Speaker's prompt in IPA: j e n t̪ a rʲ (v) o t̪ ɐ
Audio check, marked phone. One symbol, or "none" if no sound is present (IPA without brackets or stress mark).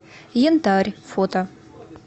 f